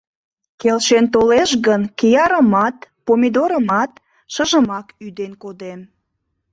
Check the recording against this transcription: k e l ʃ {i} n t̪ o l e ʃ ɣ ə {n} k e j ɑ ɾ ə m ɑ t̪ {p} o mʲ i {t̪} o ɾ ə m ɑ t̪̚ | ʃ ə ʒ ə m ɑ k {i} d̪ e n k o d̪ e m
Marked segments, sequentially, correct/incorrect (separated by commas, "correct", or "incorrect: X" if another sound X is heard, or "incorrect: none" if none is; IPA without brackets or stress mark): incorrect: e, correct, correct, incorrect: d̪, incorrect: y